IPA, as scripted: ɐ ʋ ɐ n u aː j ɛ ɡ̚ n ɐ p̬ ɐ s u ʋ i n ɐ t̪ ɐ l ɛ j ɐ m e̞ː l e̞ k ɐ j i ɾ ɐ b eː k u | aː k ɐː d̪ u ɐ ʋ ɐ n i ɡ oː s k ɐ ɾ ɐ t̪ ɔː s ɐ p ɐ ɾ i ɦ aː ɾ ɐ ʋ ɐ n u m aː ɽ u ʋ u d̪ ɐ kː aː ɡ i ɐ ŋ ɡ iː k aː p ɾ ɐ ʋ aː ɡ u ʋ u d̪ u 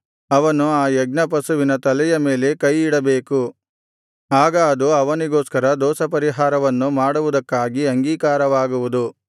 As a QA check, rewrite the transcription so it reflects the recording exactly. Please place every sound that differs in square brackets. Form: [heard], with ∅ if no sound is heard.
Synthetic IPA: ɐ ʋ ɐ n u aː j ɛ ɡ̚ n ɐ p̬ ɐ s u ʋ i n ɐ t̪ ɐ l ɛ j ɐ m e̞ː l e̞ k ɐ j i [ɽ] ɐ b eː k u | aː [ɡ] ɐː d̪ u ɐ ʋ ɐ n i ɡ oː s k ɐ ɾ ɐ [d̪] ɔː s ɐ p ɐ ɾ i ɦ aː ɾ ɐ ʋ ɐ [nː] u m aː ɽ u ʋ u d̪ ɐ kː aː ɡ i ɐ ŋ ɡ iː k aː [∅] ɾ ɐ ʋ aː ɡ u ʋ u d̪ u